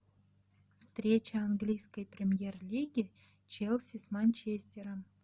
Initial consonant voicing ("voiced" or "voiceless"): voiceless